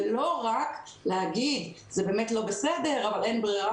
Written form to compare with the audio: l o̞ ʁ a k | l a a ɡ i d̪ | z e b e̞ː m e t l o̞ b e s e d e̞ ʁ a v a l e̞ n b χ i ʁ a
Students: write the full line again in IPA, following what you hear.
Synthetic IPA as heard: l o̞ ʁ a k | l e a ɡ i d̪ | z e b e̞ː m e t l o̞ b e s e d e̞ ʁ a v a l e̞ n b ʁ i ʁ a